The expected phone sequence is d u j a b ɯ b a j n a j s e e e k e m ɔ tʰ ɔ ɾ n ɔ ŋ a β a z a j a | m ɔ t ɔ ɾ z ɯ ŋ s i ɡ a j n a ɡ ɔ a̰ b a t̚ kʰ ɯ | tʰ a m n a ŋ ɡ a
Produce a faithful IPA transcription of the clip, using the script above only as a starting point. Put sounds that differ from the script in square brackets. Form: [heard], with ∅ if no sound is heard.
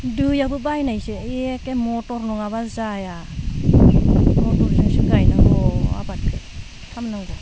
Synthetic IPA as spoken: d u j a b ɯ b a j n a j s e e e k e m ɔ [t] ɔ ɾ n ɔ ŋ a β a z a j a | m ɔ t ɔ ɾ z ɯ ŋ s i ɡ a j n a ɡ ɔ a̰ b a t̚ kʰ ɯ | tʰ a m n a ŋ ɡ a

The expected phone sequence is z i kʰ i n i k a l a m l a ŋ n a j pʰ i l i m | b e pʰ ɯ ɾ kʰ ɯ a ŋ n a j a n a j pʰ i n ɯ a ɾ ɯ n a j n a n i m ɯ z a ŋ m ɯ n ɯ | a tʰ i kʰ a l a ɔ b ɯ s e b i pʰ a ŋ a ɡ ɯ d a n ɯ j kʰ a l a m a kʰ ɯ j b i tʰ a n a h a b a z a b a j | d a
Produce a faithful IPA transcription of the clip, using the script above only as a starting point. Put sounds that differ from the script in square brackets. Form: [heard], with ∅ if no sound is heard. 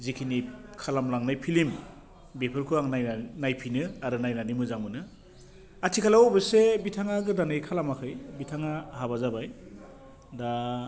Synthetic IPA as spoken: z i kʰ i n i [kʰ] a l a m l a ŋ n a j pʰ i l i m | b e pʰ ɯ ɾ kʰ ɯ a ŋ n a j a n a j pʰ i n ɯ a ɾ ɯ n a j n a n i m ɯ z a ŋ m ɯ n ɯ | a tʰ i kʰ a l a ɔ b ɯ s e b i [tʰ] a ŋ a ɡ ɯ d a n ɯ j kʰ a l a m a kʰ ɯ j b i tʰ a [ŋ] a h a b a z a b a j | d a

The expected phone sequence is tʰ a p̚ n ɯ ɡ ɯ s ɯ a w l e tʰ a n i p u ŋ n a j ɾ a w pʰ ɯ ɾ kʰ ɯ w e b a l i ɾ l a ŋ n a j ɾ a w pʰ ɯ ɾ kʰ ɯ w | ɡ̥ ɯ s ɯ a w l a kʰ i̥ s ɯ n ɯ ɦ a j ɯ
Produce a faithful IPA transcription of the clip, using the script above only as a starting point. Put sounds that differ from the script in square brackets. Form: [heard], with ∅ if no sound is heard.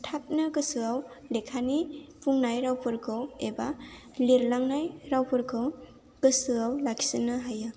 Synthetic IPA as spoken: tʰ a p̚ n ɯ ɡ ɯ s ɯ a w l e [kʰ] a n i p u ŋ n a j ɾ a w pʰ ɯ ɾ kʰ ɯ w e b a l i ɾ l a ŋ n a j ɾ a w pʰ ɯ ɾ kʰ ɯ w | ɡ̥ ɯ s ɯ a w l a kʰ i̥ s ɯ n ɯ ɦ a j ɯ

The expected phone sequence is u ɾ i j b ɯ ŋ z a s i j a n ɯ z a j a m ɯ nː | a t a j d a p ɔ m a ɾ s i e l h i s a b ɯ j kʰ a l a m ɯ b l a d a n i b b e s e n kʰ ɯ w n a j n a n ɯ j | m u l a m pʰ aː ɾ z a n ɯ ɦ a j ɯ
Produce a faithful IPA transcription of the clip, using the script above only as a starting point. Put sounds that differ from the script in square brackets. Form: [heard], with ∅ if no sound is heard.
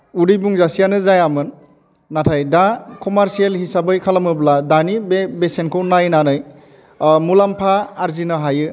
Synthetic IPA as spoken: u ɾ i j b [u] ŋ z a s i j a n ɯ z a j a m ɯ nː | a [tʰ] a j d a [k] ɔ m a ɾ s i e l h i s a b ɯ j kʰ a l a m ɯ b l a d a n i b b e s e n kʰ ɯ w n a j n a n ɯ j | m u l a m pʰ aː ɾ z [i] n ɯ ɦ a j ɯ

